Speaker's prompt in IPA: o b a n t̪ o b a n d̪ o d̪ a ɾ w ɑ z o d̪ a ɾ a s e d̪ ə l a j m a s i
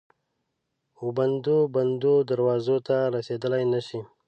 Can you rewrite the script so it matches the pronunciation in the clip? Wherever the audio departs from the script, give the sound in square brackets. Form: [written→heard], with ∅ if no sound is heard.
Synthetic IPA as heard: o b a n [t̪→d̪] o b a n d̪ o d̪ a ɾ w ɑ z o [d̪→t̪] a ɾ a s e d̪ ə l a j [m→n] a [s→ʃ] i